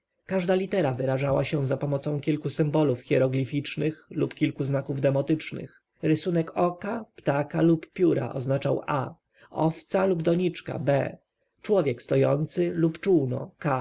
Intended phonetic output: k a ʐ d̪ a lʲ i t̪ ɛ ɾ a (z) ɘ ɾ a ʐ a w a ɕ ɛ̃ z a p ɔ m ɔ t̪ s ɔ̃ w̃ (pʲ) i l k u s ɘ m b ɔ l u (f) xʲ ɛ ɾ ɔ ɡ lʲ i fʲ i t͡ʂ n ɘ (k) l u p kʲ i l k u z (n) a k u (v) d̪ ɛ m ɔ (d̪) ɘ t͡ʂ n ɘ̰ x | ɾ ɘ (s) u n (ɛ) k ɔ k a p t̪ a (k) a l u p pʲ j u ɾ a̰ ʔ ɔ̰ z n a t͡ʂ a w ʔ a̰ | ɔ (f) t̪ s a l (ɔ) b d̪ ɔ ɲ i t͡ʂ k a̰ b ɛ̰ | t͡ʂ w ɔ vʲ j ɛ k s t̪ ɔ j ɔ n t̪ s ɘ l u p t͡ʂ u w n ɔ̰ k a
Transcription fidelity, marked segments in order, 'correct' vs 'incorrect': incorrect, incorrect, correct, incorrect, correct, correct, incorrect, correct, correct, correct, correct, incorrect

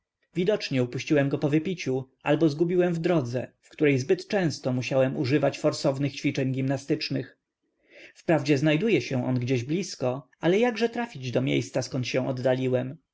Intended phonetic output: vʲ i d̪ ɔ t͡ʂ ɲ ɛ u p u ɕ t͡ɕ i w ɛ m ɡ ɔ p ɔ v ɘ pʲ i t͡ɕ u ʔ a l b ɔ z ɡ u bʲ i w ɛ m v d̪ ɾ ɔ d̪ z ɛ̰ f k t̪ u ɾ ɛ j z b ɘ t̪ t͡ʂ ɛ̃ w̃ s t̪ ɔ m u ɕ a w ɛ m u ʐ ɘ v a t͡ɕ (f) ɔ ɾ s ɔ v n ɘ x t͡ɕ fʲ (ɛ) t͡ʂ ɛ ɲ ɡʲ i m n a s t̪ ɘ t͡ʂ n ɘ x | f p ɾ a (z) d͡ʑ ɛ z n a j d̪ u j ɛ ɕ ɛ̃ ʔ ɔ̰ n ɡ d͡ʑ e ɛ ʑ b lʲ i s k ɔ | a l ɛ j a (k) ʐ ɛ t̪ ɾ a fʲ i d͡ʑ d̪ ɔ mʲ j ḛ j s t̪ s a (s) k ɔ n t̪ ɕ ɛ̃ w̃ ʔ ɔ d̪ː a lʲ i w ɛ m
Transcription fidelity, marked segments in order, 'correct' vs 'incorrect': correct, incorrect, incorrect, incorrect, correct

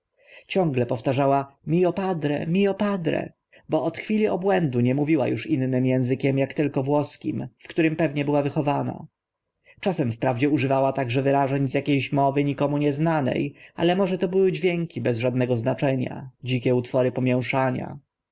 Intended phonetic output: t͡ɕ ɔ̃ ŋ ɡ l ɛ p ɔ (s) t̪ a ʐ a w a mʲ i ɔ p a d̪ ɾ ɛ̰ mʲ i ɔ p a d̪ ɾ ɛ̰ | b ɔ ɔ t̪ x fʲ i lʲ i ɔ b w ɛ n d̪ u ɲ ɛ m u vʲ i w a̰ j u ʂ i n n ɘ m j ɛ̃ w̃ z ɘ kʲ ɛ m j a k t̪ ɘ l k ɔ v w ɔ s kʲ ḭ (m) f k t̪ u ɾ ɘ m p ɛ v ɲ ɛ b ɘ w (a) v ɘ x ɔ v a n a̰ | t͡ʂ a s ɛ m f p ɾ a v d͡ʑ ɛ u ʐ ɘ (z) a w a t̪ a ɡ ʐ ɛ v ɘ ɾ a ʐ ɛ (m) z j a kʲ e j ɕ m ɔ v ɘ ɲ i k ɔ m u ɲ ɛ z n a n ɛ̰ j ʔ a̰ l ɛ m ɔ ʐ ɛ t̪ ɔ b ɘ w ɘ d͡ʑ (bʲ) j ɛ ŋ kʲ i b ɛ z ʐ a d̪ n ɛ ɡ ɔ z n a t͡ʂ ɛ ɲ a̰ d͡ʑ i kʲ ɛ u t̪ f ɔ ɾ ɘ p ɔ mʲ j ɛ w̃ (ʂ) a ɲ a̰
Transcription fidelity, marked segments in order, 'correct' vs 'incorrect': incorrect, correct, correct, incorrect, incorrect, incorrect, correct

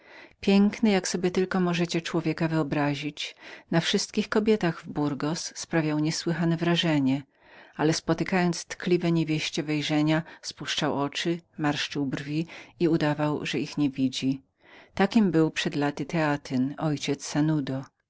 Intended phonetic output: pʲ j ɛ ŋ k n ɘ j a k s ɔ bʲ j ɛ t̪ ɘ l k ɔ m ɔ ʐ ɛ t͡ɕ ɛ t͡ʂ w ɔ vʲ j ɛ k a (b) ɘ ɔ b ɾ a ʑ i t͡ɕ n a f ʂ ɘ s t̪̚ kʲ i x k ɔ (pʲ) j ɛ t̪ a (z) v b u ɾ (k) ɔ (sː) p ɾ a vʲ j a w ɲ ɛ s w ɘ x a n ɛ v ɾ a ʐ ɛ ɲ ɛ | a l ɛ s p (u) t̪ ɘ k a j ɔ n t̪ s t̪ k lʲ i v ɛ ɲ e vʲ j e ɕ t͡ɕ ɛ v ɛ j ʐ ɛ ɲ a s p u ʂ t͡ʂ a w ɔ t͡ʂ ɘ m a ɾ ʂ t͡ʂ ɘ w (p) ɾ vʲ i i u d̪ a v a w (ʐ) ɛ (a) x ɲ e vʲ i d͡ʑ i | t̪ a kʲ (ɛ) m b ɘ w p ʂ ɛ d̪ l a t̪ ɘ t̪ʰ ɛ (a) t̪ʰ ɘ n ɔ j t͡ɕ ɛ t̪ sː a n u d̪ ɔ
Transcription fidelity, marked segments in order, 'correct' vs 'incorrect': incorrect, incorrect, incorrect, incorrect, correct, incorrect, incorrect, correct, incorrect, incorrect, correct

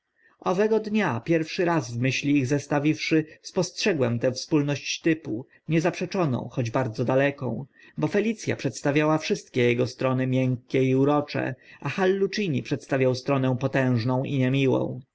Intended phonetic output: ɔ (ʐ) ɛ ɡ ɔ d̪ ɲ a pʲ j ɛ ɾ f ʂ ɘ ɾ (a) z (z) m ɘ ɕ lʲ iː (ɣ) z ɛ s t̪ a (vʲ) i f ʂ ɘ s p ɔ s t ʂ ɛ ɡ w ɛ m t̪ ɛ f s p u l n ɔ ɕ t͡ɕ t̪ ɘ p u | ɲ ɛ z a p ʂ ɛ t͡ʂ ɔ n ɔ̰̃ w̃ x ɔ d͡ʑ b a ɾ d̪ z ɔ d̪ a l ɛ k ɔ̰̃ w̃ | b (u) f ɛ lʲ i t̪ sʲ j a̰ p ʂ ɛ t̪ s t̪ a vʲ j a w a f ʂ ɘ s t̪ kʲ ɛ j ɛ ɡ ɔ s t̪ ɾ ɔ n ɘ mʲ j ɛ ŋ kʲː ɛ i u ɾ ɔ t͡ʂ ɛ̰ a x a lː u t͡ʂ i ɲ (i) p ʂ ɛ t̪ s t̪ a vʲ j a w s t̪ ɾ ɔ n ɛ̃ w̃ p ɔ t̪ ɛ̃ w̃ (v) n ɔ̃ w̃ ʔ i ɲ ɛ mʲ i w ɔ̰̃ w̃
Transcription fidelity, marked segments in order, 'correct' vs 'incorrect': incorrect, correct, incorrect, correct, correct, incorrect, correct, incorrect

